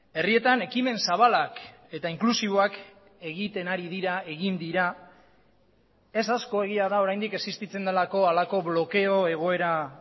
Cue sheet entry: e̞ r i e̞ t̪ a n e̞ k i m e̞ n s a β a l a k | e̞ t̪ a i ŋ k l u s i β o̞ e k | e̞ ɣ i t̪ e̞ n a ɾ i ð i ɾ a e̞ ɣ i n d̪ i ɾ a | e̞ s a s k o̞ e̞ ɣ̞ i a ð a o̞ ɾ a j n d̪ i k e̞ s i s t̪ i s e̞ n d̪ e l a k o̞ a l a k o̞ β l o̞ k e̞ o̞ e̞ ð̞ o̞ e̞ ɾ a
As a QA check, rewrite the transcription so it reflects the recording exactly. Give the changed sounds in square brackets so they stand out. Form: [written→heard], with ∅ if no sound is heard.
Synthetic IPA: e̞ r i e̞ t̪ a n e̞ k i m e̞ n s a β a l a k | e̞ t̪ a i ŋ k l u s i β o̞ [e→a] k | e̞ ɣ i t̪ e̞ n a ɾ i ð i ɾ a e̞ ɣ i n d̪ i ɾ a | e̞ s a s k o̞ e̞ ɣ̞ i a ð a o̞ ɾ a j n d̪ i k e̞ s i s t̪ i [s→t͡s] e̞ n d̪ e l a k o̞ a l a k o̞ β l o̞ k e̞ o̞ e̞ [ð̞→ɣ̞] o̞ e̞ ɾ a